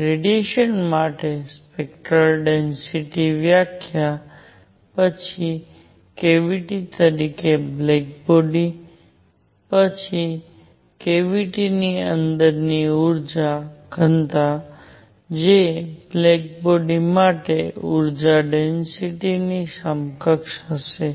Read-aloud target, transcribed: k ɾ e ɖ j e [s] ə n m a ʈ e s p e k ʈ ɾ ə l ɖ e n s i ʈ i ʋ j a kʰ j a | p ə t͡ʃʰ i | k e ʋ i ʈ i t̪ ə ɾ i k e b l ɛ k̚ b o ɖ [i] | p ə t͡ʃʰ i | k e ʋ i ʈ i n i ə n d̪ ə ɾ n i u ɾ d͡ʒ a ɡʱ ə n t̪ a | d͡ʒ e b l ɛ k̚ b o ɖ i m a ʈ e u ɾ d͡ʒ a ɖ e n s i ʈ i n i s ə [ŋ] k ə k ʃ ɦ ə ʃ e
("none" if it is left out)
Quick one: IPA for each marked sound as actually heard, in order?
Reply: ʃ, i, m

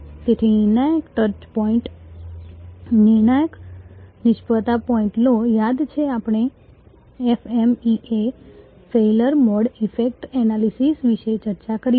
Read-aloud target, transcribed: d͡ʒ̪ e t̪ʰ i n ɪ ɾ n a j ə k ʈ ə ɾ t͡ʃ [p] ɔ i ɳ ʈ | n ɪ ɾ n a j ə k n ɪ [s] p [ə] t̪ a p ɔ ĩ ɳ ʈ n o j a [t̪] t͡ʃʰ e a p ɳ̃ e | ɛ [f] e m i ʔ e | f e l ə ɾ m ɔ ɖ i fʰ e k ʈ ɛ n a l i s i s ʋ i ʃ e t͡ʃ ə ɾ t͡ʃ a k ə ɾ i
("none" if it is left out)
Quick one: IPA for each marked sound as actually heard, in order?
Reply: p, ʃ, ə, d̪, f

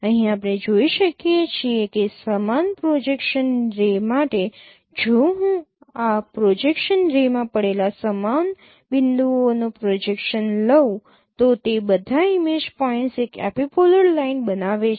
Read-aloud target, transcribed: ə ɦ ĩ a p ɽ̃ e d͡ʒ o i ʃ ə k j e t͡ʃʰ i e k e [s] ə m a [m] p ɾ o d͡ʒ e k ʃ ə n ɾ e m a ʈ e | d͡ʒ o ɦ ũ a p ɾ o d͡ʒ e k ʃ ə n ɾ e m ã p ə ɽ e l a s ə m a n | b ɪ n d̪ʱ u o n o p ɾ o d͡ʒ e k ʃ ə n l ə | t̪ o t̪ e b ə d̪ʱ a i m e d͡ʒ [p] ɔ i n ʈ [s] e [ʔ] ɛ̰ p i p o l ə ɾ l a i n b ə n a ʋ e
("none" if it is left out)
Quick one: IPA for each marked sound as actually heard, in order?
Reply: s, n, p, s, k

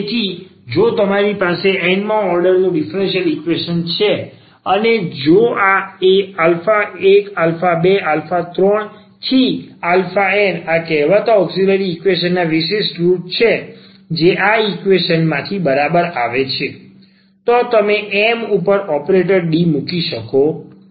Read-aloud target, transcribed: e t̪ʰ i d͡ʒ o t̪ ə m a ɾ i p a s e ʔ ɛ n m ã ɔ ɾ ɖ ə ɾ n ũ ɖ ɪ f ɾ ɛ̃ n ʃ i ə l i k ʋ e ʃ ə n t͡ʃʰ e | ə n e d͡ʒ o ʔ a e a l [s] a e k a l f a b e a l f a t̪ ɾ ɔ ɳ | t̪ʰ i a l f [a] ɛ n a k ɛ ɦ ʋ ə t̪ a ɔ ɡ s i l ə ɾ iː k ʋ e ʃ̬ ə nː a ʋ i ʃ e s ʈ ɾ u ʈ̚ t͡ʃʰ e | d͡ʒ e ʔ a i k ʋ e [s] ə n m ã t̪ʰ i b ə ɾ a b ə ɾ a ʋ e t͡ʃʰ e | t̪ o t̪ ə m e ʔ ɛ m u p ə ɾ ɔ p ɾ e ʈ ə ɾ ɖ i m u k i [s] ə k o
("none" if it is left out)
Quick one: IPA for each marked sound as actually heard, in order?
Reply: f, a, ʃ, ʃ

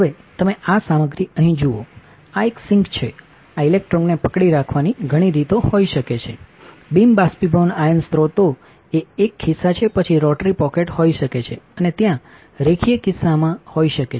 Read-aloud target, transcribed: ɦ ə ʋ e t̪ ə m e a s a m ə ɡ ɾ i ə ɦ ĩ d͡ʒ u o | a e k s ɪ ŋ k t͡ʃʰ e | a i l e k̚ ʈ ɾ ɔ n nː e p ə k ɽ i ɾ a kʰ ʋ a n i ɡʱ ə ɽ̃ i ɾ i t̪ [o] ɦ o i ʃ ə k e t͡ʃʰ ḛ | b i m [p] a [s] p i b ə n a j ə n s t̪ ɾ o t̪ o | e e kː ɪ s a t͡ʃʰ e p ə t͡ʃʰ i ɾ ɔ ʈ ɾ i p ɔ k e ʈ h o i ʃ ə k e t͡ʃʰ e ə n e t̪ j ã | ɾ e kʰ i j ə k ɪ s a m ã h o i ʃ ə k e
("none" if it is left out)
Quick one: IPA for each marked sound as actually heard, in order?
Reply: o, b, s

